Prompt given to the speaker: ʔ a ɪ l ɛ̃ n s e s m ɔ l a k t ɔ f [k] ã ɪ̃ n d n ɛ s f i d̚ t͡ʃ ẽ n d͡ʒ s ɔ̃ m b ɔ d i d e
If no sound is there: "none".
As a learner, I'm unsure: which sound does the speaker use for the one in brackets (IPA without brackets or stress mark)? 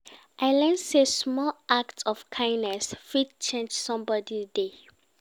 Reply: kʰ